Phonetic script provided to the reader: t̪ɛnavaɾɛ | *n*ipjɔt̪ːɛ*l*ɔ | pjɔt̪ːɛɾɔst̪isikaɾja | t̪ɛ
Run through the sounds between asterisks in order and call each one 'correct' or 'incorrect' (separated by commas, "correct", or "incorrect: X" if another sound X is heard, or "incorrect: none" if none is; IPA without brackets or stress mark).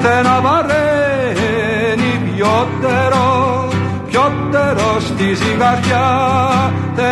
correct, incorrect: ɾ